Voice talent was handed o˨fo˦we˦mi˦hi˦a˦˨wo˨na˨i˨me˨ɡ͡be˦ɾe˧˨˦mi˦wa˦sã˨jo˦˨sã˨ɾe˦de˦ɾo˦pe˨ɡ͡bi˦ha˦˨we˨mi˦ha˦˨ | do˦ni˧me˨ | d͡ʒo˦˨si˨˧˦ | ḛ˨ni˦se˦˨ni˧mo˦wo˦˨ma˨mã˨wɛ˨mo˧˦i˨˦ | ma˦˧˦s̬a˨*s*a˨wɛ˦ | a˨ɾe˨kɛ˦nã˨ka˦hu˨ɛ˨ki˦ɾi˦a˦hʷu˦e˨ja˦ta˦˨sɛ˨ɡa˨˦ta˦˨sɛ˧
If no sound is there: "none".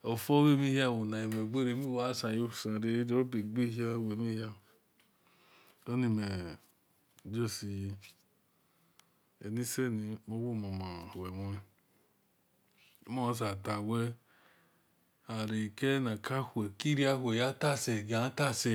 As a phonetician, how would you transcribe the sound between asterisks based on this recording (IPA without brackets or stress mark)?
t